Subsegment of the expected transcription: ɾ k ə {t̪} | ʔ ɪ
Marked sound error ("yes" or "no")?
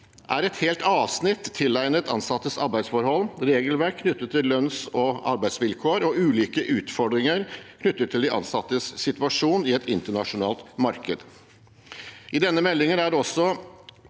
yes